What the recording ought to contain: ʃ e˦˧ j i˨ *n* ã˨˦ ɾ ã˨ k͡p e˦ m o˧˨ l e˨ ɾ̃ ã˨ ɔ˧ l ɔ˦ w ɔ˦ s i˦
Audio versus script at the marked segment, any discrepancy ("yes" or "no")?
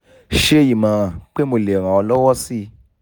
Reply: yes